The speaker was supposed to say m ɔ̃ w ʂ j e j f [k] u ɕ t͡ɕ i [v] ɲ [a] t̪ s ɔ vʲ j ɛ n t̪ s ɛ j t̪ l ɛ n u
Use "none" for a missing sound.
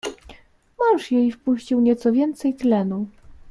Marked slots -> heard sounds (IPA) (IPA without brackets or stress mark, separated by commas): p, w, ɛ